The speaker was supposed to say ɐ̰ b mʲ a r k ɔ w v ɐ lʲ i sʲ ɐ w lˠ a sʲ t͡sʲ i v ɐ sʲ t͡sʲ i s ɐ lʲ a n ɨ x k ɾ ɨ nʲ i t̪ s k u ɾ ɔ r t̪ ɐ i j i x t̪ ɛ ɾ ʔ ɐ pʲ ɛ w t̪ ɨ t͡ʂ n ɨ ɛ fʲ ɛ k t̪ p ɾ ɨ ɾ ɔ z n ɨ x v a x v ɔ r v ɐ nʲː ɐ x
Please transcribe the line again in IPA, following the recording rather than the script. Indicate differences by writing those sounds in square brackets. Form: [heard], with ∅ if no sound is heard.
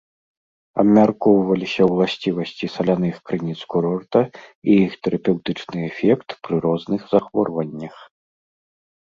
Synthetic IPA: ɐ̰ b mʲ a r k ɔ w v ɐ lʲ i sʲ ɐ w lˠ a sʲ t͡sʲ i v ɐ sʲ t͡sʲ i s ɐ lʲ a n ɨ x k ɾ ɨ nʲ i t̪ s k u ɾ ɔ r t̪ ɐ i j i x t̪ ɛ ɾ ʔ ɐ pʲ ɛ w t̪ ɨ t͡ʂ n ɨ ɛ fʲ ɛ k t̪ p ɾ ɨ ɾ ɔ z n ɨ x [z] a x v ɔ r v ɐ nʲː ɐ x